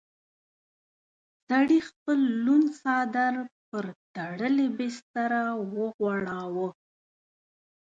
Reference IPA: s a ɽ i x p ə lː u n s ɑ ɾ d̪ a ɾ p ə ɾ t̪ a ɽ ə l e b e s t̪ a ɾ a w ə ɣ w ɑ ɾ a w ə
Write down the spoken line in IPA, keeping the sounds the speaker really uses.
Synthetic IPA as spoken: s a ɽ i x p ə lː u n s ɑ d̪ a ɾ p ə ɾ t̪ a ɽ ə l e b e s t̪ a ɾ a w ə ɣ w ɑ ɽ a w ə